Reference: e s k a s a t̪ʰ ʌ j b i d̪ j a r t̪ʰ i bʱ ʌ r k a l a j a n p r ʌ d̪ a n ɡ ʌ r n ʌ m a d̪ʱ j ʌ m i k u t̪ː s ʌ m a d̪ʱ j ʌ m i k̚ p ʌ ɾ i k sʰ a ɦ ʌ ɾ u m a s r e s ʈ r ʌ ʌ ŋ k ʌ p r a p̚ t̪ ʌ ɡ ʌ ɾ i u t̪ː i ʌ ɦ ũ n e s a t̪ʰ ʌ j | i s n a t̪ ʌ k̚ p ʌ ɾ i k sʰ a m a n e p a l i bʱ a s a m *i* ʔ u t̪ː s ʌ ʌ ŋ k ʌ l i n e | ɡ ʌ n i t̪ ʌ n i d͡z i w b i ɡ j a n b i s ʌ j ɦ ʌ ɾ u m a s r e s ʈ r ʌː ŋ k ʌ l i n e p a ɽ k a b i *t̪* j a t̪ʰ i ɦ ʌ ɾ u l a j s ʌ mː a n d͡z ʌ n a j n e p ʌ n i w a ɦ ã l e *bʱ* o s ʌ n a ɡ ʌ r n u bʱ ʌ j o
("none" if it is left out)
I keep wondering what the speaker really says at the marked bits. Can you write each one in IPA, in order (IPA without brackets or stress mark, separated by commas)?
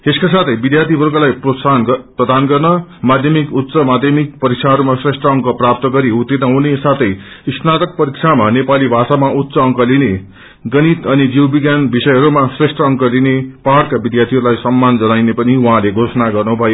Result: a, d̪, ɡʱ